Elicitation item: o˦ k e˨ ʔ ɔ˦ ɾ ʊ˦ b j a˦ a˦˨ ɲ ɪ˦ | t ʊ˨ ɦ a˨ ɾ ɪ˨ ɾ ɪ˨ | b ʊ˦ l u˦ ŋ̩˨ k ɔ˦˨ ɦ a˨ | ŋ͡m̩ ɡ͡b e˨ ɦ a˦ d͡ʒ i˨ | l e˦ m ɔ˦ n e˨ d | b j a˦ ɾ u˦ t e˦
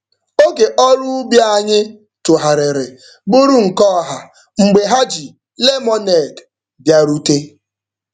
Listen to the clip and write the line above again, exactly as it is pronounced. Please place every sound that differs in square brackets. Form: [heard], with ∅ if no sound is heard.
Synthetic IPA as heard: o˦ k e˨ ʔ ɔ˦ ɾ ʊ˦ b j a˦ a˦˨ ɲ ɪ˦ | t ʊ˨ ɦ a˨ ɾ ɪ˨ ɾ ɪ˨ | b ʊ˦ [ɾ] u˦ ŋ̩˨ k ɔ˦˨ ɦ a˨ | ŋ͡m̩ ɡ͡b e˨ ɦ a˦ d͡ʒ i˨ | l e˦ m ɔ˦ n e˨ d | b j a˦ ɾ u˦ t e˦